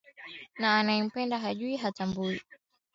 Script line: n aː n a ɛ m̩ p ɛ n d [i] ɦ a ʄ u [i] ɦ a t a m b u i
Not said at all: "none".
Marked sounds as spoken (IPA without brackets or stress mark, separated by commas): a, i